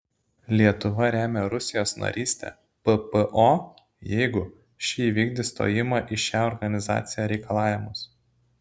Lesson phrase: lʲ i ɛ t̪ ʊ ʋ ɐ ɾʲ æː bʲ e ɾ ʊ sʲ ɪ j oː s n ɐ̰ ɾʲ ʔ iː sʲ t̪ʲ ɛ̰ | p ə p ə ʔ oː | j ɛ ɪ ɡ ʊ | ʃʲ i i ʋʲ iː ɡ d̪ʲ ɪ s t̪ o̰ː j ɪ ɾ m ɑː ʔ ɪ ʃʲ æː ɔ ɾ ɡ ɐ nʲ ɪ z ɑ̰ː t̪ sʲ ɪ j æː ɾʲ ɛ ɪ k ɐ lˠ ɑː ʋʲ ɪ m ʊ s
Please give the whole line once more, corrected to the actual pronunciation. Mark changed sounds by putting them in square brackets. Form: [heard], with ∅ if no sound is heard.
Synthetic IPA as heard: lʲ i ɛ t̪ ʊ ʋ ɐ ɾʲ æː [mʲ] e ɾ ʊ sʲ ɪ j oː s n ɐ̰ ɾʲ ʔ iː sʲ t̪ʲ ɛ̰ | p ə p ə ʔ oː | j ɛ ɪ ɡ ʊ | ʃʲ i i ʋʲ iː ɡ d̪ʲ ɪ s t̪ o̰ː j ɪ [∅] m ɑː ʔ ɪ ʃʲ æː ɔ ɾ ɡ ɐ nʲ ɪ z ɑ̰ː t̪ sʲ ɪ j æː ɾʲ ɛ ɪ k ɐ lˠ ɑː ʋʲ ɪ m ʊ s